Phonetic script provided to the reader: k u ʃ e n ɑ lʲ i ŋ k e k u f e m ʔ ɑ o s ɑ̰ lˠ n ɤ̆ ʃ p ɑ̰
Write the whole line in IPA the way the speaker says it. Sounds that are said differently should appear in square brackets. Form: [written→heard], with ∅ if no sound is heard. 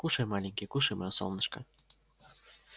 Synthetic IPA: k u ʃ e [n→m] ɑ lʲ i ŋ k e k u [f→ʃ] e m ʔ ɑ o s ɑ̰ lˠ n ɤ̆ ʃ [p→k] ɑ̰